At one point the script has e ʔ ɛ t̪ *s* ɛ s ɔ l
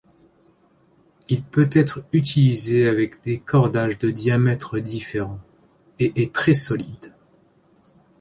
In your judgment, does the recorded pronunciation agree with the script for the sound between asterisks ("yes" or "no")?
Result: no